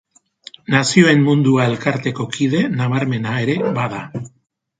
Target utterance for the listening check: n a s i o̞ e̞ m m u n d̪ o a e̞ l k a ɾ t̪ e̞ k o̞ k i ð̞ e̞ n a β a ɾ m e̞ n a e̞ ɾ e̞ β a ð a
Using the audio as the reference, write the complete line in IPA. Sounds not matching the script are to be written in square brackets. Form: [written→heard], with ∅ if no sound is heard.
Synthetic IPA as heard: n a s i o̞ e̞ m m u n d̪ [o→u] a e̞ l k a ɾ t̪ e̞ k o̞ k i ð̞ e̞ n a β a ɾ m e̞ n a e̞ ɾ e̞ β a ð a